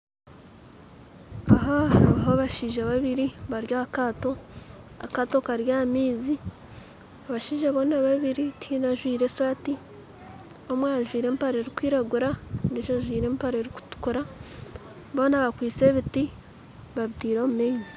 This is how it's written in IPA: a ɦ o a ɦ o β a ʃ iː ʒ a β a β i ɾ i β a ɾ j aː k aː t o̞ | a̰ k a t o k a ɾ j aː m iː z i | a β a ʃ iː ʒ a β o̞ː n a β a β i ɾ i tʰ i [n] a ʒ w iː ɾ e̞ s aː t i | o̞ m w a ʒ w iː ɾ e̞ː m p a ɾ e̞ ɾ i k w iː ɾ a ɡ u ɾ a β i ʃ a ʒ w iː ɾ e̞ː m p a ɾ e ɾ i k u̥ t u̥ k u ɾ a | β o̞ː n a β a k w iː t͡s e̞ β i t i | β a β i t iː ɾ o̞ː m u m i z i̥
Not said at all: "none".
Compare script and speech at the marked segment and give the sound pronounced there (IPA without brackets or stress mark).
n